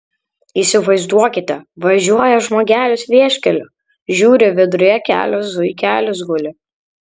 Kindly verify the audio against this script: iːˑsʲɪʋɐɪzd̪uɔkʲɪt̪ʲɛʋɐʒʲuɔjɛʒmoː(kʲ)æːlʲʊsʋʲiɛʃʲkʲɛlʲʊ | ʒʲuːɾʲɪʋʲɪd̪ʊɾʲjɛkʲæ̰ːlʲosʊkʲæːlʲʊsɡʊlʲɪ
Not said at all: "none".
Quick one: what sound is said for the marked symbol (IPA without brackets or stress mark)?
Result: ɡʲ